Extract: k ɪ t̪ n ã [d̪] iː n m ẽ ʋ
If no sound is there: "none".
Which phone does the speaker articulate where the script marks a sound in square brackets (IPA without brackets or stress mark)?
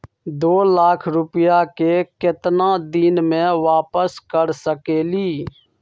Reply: d̪